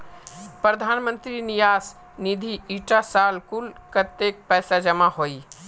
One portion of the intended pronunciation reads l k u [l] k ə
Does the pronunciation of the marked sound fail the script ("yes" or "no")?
no